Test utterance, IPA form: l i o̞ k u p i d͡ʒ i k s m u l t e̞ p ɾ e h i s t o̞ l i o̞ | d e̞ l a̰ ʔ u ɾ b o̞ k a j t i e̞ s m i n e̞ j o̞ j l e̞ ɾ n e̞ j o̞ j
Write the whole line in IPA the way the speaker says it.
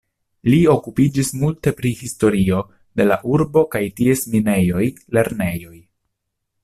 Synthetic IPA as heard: l i o̞ k u p i d͡ʒ i s m u l t e̞ p ɾ i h i s t o̞ ɾ i o̞ | d e̞ l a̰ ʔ u ɾ b o̞ k a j t i e̞ s m i n e̞ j o̞ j l e̞ ɾ n e̞ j o̞ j